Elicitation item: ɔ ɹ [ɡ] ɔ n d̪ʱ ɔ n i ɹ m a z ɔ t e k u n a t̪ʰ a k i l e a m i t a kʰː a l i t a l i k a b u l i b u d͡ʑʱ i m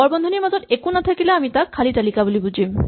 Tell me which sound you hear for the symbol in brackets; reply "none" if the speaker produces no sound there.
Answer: b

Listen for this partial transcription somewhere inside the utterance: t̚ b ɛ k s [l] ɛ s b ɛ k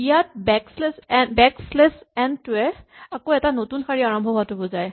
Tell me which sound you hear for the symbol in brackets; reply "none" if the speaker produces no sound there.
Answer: l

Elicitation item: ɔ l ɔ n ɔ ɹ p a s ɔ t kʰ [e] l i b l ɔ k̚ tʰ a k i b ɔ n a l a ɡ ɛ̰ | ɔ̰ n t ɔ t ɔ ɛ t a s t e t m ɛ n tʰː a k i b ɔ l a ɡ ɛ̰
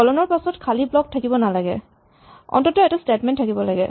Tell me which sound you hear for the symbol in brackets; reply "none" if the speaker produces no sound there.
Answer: a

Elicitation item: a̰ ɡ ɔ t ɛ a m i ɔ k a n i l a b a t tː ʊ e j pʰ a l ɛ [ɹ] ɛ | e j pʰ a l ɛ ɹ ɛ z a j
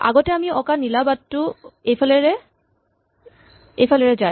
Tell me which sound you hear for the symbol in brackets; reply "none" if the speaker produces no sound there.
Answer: ɹ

